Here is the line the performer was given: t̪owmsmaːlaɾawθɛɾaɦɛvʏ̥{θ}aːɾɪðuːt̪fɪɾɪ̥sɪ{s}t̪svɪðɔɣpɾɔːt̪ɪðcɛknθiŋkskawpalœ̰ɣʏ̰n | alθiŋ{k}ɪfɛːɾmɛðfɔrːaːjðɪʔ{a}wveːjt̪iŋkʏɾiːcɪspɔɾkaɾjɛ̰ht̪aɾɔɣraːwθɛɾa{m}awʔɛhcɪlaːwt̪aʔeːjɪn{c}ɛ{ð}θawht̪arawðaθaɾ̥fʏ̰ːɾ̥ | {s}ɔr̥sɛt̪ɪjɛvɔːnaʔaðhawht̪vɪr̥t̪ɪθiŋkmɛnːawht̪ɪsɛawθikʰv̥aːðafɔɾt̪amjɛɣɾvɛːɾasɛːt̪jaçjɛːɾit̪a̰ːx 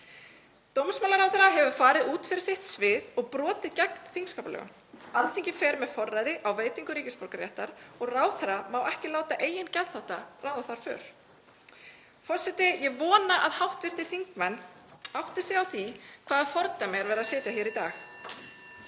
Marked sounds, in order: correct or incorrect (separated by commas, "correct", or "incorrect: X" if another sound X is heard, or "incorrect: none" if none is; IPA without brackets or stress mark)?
incorrect: f, incorrect: h, incorrect: c, correct, correct, correct, correct, incorrect: f